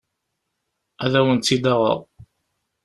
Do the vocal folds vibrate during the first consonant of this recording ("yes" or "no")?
yes